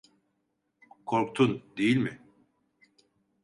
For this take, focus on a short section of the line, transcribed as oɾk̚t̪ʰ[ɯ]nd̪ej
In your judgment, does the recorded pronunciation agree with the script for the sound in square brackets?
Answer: no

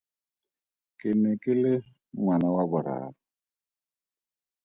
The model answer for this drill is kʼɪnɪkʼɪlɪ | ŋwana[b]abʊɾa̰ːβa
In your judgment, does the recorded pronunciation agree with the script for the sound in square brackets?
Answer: no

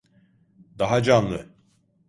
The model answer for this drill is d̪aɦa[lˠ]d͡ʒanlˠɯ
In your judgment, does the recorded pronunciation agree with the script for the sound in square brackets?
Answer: no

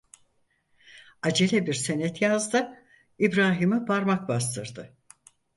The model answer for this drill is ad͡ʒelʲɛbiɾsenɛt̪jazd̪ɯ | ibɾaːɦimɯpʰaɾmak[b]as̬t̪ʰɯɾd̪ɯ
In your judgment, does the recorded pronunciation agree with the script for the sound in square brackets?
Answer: yes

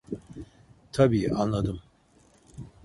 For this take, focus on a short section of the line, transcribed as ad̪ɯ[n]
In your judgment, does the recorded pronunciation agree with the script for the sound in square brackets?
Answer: no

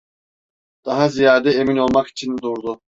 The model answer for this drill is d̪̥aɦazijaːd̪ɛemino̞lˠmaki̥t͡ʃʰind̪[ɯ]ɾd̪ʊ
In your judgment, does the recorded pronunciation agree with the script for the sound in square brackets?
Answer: no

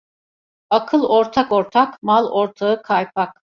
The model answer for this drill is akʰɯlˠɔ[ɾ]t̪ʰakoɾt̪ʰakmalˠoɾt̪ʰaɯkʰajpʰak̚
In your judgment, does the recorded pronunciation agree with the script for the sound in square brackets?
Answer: yes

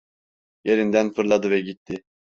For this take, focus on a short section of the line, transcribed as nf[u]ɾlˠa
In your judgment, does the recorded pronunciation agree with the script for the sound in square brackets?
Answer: no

